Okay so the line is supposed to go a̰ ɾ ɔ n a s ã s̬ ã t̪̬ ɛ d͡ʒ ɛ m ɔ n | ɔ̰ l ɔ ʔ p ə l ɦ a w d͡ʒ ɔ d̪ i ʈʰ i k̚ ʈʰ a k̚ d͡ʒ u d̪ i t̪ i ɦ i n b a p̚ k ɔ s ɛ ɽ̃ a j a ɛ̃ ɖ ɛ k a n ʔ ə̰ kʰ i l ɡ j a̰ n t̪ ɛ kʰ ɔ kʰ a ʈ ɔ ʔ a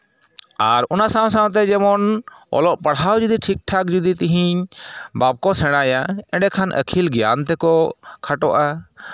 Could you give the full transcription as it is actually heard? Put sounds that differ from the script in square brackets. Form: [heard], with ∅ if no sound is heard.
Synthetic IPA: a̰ ɾ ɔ n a s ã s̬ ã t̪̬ ɛ d͡ʒ ɛ m ɔ n | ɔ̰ l ɔ ʔ p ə [ɽ] ɦ a w d͡ʒ [u] d̪ i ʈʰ i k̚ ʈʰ a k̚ d͡ʒ u d̪ i t̪ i ɦ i [ɲ] b a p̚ k ɔ s ɛ ɽ̃ a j a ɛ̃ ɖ ɛ [kʰ] a n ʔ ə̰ kʰ i l ɡ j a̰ n t̪ ɛ [k] ɔ kʰ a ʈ ɔ ʔ a